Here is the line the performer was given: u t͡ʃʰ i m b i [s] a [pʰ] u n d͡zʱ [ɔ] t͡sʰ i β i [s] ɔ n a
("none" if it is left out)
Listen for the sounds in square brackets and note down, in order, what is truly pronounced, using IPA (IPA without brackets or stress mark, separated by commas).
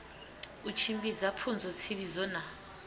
z, pʰ, ɔ, z